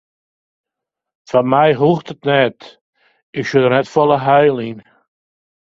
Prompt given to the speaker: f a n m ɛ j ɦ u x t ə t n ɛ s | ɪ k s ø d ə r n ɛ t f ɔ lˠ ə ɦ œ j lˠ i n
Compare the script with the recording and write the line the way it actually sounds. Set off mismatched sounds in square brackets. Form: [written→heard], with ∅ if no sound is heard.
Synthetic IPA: f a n m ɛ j ɦ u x t ə t n ɛ [s→t] | ɪ k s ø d ə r n ɛ t f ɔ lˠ ə ɦ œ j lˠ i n